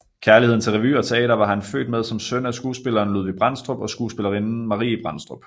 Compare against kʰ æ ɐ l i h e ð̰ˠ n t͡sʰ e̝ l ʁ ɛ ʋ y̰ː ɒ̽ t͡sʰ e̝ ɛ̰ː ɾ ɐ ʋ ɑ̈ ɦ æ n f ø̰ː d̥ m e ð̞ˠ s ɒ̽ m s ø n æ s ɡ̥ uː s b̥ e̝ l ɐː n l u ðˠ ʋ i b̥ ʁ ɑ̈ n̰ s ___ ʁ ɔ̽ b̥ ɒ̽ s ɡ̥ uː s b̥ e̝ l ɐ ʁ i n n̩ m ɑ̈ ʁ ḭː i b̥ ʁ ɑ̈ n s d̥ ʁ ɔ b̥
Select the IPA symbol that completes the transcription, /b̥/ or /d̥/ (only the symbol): d̥